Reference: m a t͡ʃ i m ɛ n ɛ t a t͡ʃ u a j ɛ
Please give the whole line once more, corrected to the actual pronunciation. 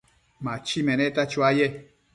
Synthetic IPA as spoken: m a t͡ʃ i m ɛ n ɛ t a t͡ʃ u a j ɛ